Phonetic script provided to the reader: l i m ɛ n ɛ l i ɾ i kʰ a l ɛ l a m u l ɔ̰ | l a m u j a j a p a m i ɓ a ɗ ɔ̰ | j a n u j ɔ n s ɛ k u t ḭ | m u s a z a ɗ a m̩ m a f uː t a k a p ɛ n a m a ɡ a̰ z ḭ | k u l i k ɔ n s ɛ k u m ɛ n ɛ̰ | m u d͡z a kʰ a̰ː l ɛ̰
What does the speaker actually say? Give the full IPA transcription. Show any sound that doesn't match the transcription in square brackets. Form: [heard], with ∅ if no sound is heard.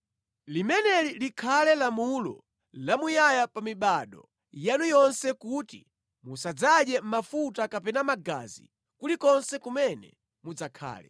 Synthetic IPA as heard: l i m ɛ n ɛ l i [l] i kʰ a l ɛ l a m u l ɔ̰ | l a m u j a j a p a m i ɓ a ɗ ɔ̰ | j a n u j ɔ n s ɛ k u t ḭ | m u s a [d͡z] a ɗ [ɛ] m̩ m a f [u] t a k a p ɛ n a m a ɡ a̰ z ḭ | k u l i k ɔ n s ɛ k u m ɛ n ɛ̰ | m u d͡z a kʰ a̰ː l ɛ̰